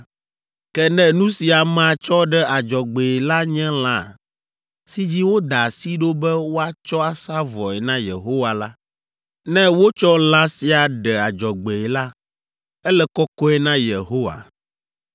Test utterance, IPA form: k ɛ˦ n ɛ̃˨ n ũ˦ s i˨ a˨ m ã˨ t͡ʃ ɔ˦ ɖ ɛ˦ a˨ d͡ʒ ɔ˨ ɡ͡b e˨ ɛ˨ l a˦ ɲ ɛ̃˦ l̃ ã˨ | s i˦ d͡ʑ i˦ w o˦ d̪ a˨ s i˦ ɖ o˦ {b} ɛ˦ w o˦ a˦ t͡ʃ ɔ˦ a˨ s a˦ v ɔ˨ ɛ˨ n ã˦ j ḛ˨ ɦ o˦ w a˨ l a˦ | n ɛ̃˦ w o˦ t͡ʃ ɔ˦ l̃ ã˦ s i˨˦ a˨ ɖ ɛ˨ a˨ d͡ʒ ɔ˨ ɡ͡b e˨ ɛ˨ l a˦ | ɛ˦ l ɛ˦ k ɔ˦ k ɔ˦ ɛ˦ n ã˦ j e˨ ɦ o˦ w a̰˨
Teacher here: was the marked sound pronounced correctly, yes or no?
yes